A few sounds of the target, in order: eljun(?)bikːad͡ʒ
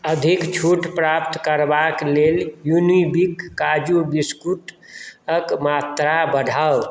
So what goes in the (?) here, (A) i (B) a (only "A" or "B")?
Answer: A